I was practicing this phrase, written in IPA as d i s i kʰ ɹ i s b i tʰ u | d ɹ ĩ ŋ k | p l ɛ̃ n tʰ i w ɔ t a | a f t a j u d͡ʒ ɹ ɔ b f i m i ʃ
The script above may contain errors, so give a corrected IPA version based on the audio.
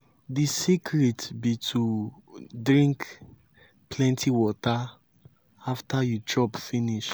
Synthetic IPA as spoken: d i s i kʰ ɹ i t b i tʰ u | d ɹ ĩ ŋ k | p l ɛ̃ n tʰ i w ɔ t a | a f t a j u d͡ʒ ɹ ɔ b f i n i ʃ

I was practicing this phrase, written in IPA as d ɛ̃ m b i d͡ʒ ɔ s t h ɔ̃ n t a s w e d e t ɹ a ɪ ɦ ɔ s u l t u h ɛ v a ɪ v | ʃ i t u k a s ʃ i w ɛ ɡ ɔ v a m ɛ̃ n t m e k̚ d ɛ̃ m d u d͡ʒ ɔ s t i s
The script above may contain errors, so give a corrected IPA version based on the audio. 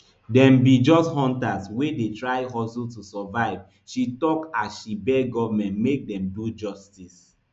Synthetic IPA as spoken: d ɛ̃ m b i d͡ʒ ɔ s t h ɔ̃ n t a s w e d e t ɹ a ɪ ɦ ɔ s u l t u s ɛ v a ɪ v | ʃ i t ɔ k a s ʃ i b ɛ ɡ ɔ v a m ɛ̃ n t m e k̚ d ɛ̃ m d u d͡ʒ ɔ s t i s

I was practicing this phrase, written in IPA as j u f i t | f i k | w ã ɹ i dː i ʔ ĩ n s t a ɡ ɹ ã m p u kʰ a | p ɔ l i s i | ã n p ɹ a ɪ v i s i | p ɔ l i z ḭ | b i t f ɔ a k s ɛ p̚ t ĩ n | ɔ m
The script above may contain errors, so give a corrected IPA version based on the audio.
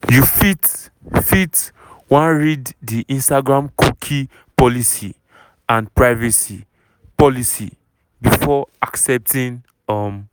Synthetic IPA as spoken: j u f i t | f i t | w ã ɹ i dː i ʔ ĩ n s t a ɡ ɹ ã m k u kʰ i | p ɔ l i s i | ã n p ɹ a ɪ v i s i | p ɔ l i s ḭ | b i f ɔ a k s ɛ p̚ t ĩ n | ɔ m

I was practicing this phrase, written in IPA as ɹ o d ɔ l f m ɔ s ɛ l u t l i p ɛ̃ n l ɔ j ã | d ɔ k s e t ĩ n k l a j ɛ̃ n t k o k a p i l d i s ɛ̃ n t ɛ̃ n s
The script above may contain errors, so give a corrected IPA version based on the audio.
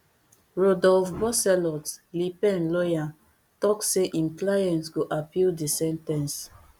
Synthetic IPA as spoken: ɹ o d ɔ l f b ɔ s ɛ l ɔ t l i p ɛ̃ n l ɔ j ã | t ɔ k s e ʔ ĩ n k l a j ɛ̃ n t ɡ o ʔ a p i l d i s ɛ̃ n t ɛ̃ n s

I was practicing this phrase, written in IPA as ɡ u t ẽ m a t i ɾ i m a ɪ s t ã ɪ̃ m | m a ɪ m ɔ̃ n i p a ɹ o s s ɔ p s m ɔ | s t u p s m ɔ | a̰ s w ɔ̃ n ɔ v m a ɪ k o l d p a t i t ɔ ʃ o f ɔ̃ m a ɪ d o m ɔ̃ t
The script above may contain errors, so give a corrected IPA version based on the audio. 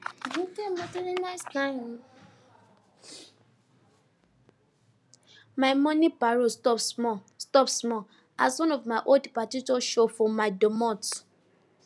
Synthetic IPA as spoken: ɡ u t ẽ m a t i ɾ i n a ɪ s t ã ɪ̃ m | m a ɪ m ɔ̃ n i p a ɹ o s t ɔ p s m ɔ | s t ɔ p s m ɔ | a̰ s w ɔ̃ n ɔ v m a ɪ ʔ o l d p a t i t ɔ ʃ o f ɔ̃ m a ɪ d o m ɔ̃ t

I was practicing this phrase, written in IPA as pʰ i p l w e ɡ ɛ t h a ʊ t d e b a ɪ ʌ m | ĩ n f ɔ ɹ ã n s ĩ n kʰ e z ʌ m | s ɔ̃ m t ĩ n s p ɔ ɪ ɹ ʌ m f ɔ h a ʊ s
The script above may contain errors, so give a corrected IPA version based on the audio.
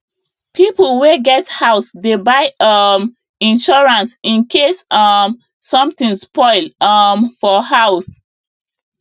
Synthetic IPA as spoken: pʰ i p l w e ɡ ɛ t h a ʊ s d e b a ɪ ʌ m | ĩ n ʃ ɔ ɹ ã n s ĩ n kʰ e s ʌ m | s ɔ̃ m t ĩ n s p ɔ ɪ l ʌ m f ɔ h a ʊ s

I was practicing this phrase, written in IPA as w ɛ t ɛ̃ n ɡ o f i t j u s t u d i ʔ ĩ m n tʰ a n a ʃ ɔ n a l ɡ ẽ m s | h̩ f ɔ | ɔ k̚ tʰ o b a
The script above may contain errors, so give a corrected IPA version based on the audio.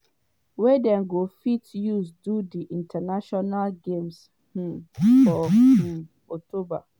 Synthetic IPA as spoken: w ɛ d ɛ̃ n ɡ o f i t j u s d u d i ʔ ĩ n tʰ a n a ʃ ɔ n a l ɡ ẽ m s | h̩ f ɔ | ɔ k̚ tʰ o b a

